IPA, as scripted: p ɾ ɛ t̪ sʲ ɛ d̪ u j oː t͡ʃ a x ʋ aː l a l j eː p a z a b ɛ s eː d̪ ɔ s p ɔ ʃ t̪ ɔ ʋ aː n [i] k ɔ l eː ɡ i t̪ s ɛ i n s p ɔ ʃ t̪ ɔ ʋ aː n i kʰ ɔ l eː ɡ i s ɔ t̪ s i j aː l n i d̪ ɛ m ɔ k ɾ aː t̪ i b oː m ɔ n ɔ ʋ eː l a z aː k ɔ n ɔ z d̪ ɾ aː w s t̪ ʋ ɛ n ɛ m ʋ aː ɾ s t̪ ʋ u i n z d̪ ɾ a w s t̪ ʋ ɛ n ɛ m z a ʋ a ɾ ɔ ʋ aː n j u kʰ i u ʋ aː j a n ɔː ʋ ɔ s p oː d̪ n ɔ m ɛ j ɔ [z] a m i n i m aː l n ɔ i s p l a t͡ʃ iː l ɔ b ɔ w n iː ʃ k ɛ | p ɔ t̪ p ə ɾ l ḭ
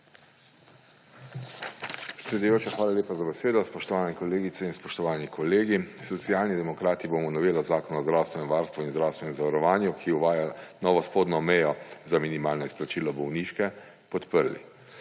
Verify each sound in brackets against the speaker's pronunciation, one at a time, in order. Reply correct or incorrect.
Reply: incorrect: ɛ, correct

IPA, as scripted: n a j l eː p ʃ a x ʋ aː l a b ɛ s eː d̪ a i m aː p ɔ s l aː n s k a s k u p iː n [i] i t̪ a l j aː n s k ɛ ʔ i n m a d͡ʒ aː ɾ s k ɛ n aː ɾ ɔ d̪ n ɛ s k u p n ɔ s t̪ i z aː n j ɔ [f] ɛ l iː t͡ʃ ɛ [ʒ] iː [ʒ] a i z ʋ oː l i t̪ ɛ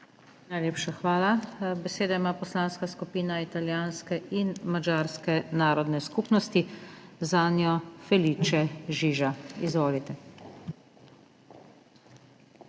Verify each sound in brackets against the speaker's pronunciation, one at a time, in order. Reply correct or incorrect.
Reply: incorrect: a, correct, correct, correct

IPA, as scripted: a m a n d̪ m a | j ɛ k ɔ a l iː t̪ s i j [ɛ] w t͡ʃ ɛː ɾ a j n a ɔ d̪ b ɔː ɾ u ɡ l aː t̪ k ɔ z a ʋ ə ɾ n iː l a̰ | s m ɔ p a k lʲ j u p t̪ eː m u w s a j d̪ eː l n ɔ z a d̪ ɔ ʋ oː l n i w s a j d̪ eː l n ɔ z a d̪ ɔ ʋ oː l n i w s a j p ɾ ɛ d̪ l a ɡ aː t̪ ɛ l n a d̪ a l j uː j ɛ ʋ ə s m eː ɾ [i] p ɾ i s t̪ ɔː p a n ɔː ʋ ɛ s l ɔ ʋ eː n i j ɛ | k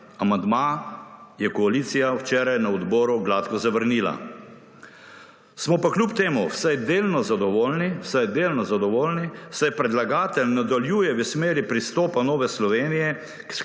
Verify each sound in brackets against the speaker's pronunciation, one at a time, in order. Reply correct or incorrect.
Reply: incorrect: a, correct

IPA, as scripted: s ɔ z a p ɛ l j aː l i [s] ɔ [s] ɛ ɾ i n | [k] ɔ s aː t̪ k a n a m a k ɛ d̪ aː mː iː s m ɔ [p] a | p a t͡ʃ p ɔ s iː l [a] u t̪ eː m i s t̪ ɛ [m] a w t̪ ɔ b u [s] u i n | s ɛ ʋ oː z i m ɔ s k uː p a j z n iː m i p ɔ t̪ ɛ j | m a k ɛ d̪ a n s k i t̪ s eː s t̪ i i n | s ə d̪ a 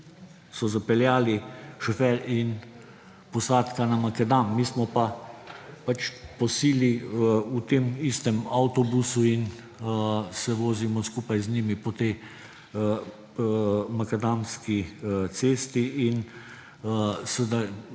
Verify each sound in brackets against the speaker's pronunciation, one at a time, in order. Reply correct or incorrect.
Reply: incorrect: ʃ, incorrect: f, incorrect: p, correct, incorrect: i, correct, correct

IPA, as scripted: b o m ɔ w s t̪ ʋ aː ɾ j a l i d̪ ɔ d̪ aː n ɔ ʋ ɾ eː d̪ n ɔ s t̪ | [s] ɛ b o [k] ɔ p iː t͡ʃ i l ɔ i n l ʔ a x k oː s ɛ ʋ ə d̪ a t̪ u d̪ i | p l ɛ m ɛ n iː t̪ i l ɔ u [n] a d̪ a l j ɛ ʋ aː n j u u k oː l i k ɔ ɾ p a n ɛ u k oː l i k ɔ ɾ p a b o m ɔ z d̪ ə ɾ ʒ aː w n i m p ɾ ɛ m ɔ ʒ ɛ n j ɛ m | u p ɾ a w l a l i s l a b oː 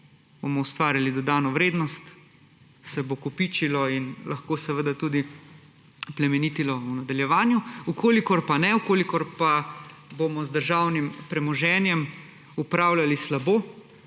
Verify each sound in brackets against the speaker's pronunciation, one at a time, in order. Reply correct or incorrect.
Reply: correct, correct, correct

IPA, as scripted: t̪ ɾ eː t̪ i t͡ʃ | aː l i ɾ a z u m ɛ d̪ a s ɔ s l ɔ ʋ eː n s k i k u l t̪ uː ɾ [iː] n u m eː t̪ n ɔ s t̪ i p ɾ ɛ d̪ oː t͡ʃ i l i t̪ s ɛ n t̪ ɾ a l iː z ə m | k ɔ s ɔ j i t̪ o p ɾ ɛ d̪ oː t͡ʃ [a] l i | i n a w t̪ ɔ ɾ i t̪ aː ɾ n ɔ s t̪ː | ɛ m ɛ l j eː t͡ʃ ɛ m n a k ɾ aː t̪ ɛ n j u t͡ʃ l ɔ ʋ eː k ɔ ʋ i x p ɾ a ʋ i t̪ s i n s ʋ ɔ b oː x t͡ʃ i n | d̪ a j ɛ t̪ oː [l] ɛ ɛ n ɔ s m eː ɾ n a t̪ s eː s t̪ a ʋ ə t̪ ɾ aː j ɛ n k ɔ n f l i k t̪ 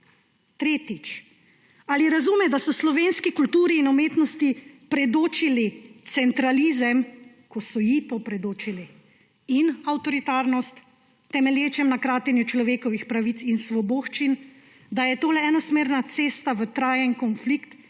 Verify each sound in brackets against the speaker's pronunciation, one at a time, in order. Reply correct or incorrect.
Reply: correct, incorrect: i, correct

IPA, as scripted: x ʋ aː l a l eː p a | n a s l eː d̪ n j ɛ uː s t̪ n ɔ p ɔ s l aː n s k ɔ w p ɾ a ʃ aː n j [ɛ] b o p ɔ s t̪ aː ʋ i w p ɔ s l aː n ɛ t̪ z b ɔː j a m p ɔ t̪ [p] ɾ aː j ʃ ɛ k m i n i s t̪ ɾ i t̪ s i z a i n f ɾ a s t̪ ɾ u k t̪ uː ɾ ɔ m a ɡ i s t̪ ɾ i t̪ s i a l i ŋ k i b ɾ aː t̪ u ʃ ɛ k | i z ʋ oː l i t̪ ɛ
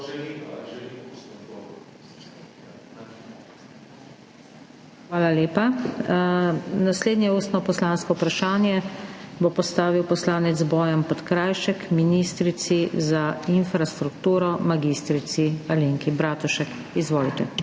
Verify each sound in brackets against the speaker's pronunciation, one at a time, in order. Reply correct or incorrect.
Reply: correct, incorrect: k

